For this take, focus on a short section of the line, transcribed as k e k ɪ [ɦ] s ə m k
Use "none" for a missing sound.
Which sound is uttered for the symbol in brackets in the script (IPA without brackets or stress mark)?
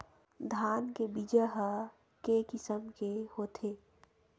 none